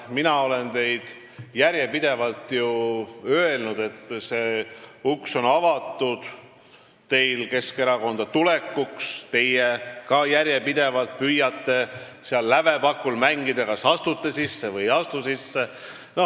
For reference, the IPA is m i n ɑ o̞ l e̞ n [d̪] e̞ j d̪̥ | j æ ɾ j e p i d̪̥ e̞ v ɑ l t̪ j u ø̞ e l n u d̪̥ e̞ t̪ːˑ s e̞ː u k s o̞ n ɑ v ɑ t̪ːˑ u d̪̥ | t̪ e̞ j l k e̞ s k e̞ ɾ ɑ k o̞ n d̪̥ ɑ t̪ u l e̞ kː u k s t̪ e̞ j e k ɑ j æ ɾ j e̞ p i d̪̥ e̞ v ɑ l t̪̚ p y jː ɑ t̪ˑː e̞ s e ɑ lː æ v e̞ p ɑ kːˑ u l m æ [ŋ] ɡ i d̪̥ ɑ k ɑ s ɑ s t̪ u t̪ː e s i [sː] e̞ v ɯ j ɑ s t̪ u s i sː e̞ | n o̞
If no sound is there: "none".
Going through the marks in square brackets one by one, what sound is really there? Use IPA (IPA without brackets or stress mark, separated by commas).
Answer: t̪, ŋ, sː